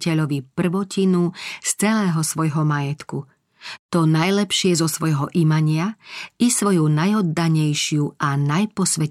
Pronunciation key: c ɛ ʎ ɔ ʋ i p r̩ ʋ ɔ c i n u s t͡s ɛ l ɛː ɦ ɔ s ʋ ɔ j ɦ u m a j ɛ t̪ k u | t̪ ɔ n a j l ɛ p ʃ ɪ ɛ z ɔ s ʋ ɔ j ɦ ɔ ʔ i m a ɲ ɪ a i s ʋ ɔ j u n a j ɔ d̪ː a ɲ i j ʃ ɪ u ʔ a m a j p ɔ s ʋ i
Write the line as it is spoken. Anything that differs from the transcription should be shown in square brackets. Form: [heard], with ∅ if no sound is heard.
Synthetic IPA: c ɛ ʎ ɔ ʋ i p r̩ ʋ ɔ c i n u s t͡s ɛ l ɛː ɦ ɔ s ʋ ɔ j ɦ [ɔ] m a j ɛ t̪ k u | t̪ ɔ n a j l ɛ p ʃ ɪ ɛ z ɔ s ʋ ɔ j ɦ ɔ ʔ i m a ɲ ɪ a i s ʋ ɔ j u n a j ɔ d̪ː a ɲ [ɛ] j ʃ ɪ u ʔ a [n] a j p ɔ s ʋ [ɛ]